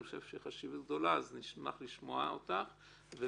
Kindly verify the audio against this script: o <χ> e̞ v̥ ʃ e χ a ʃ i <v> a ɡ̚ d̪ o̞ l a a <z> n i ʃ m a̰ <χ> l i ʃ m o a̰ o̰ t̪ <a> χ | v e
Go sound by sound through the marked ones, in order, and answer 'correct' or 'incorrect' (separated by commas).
incorrect, correct, correct, correct, correct